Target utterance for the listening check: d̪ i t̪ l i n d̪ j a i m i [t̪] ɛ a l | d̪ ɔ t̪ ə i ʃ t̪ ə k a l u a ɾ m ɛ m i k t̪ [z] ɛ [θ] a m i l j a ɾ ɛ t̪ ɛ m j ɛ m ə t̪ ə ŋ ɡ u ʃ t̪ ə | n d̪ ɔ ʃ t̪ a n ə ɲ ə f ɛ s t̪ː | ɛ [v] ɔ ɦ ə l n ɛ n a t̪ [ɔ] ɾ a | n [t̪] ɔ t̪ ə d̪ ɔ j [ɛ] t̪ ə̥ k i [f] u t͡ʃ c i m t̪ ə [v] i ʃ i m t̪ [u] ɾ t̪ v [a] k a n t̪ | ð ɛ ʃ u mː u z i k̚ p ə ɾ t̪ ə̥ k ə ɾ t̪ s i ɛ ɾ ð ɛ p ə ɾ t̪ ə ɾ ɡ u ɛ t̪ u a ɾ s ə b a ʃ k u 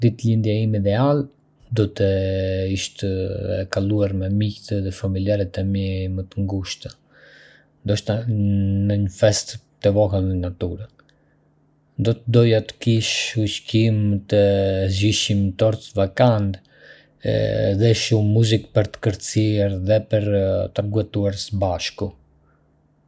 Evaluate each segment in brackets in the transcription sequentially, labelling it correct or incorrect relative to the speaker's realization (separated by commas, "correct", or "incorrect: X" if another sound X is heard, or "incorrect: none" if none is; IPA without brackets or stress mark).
incorrect: d̪, incorrect: ð, incorrect: f, correct, incorrect: u, incorrect: d̪, incorrect: a, incorrect: ʃ, incorrect: z, incorrect: ɔ, correct